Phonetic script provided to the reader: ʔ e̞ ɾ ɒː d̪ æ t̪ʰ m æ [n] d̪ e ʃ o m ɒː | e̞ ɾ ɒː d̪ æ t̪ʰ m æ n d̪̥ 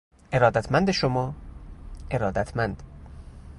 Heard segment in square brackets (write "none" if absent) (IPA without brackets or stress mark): n